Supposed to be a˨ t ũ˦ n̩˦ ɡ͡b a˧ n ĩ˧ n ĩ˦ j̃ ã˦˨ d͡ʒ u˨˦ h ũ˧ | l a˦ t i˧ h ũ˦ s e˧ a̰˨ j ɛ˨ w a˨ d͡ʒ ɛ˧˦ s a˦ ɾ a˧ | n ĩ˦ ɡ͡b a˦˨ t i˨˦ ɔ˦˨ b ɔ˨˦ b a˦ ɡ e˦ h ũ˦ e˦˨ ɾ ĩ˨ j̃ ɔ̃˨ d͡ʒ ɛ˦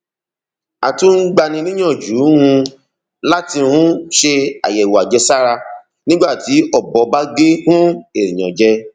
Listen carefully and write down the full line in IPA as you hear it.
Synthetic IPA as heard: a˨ t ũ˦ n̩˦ ɡ͡b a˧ n ĩ˧ n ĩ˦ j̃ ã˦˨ d͡ʒ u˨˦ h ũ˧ | l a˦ t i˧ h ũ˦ ʃ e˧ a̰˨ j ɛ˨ w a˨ d͡ʒ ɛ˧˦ s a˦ ɾ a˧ | n ĩ˦ ɡ͡b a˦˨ t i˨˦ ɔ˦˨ b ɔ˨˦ b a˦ ɡ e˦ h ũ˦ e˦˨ ɾ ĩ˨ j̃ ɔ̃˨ d͡ʒ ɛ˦